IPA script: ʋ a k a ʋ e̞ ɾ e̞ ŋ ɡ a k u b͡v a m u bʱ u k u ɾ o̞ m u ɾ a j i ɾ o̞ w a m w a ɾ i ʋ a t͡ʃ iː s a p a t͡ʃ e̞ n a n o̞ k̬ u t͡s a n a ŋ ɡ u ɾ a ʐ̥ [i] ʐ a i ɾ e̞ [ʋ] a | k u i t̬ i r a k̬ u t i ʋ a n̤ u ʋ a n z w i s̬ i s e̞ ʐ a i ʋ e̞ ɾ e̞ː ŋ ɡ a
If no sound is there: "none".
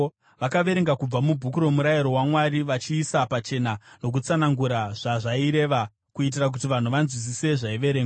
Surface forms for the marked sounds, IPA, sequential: a, ʋ

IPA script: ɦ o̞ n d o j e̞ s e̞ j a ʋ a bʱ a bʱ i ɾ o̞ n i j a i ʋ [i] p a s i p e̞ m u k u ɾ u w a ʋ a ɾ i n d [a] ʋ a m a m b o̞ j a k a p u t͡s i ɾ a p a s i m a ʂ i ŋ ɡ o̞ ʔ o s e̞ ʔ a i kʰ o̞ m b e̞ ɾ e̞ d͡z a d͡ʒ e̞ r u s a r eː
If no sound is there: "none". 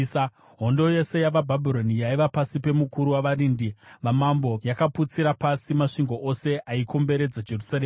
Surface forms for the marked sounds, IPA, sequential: a, i

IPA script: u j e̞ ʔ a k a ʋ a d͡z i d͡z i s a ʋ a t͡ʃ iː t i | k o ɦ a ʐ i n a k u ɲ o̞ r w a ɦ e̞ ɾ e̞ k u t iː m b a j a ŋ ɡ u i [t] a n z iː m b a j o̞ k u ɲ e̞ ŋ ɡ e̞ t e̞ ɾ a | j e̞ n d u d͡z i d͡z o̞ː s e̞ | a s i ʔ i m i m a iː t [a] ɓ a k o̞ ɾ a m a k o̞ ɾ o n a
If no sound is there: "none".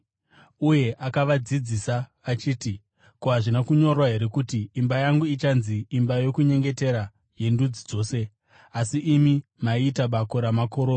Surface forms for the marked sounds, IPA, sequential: t͡ʃ, a

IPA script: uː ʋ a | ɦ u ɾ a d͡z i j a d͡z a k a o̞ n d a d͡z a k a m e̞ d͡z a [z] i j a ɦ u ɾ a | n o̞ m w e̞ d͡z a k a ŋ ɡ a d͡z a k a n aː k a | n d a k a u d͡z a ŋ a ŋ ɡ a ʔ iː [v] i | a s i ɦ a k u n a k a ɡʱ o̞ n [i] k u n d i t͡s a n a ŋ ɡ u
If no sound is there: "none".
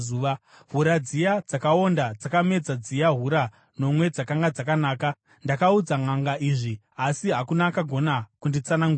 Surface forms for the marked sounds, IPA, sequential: d͡z, ʐ, a

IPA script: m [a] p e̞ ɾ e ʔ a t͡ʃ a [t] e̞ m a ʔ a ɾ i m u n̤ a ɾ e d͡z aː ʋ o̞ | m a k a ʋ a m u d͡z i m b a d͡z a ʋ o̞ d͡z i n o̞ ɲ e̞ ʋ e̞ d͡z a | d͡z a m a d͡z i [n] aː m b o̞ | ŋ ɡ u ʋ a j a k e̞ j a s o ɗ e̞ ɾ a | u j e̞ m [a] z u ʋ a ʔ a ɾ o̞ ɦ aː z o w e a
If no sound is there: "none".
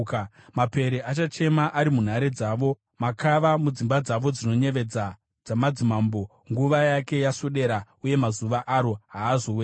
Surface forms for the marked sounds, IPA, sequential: a, t͡ʃ, m, a

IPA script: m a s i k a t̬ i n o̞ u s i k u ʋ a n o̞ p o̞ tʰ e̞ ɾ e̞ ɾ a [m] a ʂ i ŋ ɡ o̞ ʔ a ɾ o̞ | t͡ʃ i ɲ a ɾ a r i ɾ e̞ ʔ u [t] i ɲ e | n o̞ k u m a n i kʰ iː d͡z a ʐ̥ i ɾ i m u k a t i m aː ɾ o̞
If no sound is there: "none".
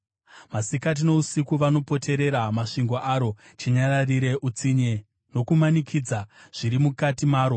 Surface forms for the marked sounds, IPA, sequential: m, t͡s

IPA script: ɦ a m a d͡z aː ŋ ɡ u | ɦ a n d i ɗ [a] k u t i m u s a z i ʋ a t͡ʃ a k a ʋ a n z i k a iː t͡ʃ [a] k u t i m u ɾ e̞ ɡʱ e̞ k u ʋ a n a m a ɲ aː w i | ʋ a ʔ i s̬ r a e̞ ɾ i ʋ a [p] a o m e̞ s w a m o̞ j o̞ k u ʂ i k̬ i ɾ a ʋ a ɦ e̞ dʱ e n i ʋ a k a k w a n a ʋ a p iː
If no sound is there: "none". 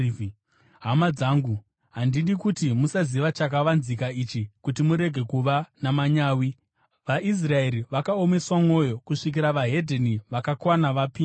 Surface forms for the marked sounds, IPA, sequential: i, i, k

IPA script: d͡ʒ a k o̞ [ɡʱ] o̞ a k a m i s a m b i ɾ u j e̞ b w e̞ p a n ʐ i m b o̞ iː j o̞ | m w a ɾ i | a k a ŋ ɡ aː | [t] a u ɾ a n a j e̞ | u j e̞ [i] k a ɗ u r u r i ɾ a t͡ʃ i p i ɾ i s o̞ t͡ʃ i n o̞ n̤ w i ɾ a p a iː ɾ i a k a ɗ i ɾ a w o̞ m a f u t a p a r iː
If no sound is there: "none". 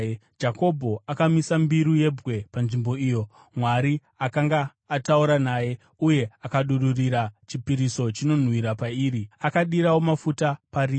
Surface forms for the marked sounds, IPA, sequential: bʱ, t, a

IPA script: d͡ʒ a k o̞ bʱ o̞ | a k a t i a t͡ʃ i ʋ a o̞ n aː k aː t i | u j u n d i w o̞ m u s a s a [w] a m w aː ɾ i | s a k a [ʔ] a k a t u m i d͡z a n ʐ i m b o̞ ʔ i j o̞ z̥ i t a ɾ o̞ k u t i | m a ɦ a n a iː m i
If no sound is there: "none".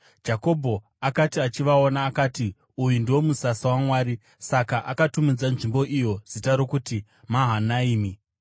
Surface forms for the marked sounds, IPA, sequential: w, ʔ

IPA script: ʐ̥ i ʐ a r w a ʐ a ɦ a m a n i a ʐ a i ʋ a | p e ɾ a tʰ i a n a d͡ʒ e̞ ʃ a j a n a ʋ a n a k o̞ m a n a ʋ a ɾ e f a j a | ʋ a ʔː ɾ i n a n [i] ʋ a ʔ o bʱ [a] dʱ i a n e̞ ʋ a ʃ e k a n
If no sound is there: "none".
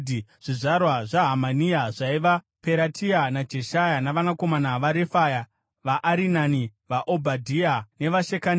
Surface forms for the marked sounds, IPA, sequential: i, a

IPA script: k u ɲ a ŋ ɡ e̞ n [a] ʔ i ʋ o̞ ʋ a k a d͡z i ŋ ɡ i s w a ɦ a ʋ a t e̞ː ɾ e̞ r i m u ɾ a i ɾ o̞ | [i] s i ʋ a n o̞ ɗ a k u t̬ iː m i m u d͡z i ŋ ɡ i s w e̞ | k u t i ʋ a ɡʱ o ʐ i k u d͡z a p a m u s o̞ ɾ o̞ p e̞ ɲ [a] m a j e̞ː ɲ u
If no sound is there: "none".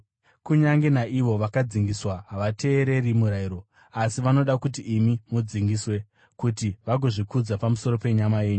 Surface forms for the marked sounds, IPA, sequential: a, a, a

